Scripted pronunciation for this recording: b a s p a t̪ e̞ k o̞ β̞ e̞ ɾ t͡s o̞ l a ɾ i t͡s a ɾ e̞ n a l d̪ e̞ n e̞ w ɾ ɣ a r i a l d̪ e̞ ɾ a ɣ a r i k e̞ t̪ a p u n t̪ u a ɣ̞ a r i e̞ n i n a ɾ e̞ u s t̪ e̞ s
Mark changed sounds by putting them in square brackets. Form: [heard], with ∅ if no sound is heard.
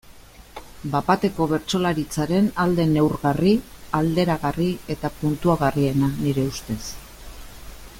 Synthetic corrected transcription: b a [∅] p a t̪ e̞ k o̞ β̞ e̞ ɾ t͡s o̞ l a ɾ i t͡s a ɾ e̞ n a l d̪ e̞ n e̞ w ɾ ɣ a r i a l d̪ e̞ ɾ a ɣ a r i [∅] e̞ t̪ a p u n t̪ u a ɣ̞ a r i e̞ n [a] n [i] ɾ e̞ u s t̪ e̞ s